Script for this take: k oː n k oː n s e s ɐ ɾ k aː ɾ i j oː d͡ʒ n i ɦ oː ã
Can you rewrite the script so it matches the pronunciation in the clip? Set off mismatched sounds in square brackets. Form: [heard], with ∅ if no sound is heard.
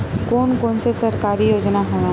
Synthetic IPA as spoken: k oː n k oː n s e s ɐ ɾ k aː ɾ i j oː d͡ʒ n [a] ɦ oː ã